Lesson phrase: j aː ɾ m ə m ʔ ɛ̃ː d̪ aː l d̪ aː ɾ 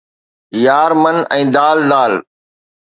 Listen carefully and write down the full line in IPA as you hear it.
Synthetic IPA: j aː ɾ m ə n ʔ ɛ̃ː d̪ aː l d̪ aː l